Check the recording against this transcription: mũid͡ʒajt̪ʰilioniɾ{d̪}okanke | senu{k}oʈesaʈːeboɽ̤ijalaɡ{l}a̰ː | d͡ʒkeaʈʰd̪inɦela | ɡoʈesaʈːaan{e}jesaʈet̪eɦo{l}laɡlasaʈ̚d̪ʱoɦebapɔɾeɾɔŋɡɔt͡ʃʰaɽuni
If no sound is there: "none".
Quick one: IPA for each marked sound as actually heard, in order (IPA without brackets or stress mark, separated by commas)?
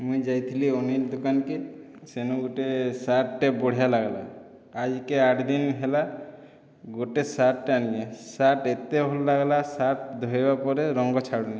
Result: d̪, ɡ, l, i, l